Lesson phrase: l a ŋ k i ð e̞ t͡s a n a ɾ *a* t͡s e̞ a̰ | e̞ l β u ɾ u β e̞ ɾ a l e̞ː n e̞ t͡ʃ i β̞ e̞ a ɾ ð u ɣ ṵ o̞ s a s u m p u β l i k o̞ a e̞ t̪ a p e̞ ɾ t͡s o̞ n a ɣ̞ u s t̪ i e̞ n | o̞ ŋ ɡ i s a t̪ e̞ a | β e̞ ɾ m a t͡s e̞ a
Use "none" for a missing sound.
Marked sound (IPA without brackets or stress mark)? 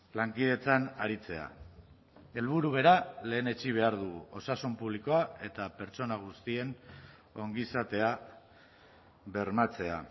i